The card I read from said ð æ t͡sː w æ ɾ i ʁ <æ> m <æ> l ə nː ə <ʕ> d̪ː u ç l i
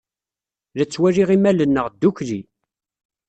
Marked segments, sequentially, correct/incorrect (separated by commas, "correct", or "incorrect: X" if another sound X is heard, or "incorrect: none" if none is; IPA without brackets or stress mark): incorrect: i, correct, incorrect: ʁ